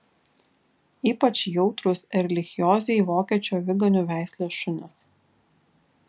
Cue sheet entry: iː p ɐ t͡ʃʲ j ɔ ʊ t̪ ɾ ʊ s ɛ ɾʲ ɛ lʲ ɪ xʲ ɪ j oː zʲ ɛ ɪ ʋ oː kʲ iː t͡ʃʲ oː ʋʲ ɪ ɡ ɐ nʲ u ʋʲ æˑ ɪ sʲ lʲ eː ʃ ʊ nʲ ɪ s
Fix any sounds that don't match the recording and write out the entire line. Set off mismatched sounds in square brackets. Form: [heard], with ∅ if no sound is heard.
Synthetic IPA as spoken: iː p ɐ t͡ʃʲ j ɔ ʊ t̪ ɾ ʊ s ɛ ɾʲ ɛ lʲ ɪ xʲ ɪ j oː zʲ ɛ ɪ ʋ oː kʲ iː t͡ʃʲ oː ʋʲ ɪ ɡ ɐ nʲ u ʋʲ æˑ ɪ sʲ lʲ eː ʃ ʊ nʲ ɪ s